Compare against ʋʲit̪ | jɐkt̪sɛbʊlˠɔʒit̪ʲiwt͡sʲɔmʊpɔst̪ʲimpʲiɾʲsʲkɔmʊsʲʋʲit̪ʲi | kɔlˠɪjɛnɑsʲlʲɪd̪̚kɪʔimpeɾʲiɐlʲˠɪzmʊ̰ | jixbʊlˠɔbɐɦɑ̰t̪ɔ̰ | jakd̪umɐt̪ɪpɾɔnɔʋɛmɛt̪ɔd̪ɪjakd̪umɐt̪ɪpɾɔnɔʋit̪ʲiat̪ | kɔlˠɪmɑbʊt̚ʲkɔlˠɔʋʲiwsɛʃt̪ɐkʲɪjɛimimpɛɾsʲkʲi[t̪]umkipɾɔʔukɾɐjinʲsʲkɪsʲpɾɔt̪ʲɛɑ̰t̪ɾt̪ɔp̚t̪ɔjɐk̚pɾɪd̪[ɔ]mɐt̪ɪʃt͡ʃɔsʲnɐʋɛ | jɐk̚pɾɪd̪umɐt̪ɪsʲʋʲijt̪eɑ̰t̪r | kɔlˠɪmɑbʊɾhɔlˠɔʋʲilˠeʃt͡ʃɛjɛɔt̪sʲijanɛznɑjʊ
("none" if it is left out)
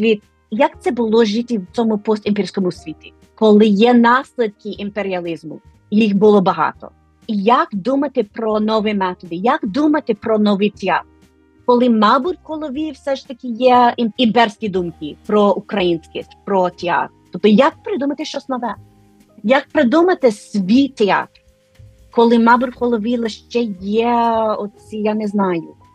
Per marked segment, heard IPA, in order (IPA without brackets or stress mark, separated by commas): d̪, u